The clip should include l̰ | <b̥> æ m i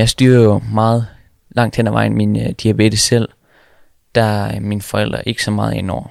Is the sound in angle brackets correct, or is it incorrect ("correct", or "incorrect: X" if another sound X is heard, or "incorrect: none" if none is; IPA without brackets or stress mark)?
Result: incorrect: d̥